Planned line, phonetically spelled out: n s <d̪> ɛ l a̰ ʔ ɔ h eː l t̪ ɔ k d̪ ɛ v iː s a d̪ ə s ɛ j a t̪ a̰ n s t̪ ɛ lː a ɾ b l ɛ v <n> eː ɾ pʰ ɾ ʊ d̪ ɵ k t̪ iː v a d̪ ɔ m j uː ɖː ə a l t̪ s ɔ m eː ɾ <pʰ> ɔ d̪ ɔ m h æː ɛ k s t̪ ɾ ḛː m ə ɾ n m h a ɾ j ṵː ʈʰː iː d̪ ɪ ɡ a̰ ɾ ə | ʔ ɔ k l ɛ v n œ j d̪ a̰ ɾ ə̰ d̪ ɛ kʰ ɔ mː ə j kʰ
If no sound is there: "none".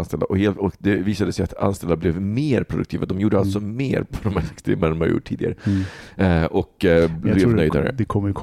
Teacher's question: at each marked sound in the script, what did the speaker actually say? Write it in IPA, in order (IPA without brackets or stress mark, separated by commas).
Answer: t̪, m, pʰ